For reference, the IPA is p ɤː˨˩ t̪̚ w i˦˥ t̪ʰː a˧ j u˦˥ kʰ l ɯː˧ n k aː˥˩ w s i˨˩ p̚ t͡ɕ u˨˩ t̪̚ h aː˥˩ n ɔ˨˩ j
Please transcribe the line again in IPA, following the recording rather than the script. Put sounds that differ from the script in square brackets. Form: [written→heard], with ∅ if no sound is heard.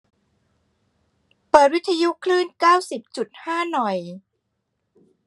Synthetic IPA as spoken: p ɤː˨˩ t̪̚ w i˦˥ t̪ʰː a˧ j u˦˥ kʰ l [ɯː˧→ɯː˥˩] n k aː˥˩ w s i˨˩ p̚ t͡ɕ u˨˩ t̪̚ h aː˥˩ n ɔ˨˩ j